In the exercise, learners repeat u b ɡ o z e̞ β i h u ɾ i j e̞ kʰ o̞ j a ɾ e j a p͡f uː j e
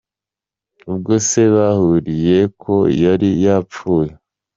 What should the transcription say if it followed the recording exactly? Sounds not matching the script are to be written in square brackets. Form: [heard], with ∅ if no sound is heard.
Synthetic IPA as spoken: u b ɡ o [s] e̞ β [a] h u ɾ i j e̞ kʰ o̞ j a ɾ [i] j a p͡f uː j e